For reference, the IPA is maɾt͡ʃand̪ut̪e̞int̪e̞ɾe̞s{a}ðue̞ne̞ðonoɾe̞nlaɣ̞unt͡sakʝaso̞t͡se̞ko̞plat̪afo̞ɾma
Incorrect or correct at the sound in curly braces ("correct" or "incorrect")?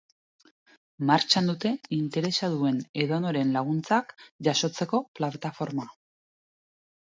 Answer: correct